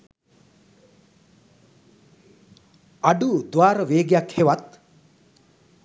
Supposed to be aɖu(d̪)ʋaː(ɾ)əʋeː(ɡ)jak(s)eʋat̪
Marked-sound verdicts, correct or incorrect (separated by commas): correct, correct, correct, incorrect